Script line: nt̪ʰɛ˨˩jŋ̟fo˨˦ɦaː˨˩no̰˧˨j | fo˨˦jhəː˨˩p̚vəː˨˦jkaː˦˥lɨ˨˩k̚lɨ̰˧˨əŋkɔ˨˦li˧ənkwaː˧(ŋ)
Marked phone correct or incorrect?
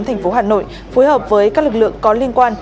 incorrect